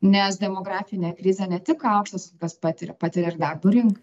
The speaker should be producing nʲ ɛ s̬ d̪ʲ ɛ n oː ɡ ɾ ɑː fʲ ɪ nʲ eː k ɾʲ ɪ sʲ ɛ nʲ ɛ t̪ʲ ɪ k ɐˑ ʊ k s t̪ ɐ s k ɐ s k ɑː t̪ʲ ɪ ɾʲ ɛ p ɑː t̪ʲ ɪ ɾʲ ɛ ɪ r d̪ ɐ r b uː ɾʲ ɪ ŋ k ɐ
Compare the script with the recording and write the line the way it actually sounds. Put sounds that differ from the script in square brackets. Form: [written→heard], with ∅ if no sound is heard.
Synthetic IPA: nʲ ɛ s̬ d̪ʲ ɛ [n→m] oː ɡ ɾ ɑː fʲ ɪ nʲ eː k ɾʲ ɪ [sʲ→zʲ] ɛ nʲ ɛ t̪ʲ ɪ k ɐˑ ʊ k [s→ʃ] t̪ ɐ s k ɐ s [k→p] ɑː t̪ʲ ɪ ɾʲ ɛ p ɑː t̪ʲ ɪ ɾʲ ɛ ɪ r d̪ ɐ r b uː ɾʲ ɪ ŋ k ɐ